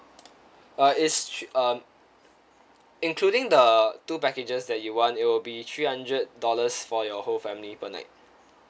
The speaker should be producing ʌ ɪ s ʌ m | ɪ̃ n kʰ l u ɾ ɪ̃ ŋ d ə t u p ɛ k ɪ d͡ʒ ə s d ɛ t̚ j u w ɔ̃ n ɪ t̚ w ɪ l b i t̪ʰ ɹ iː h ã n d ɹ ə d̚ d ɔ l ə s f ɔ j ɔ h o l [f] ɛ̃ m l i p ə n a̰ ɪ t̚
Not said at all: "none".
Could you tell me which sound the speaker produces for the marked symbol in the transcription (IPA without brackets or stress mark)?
f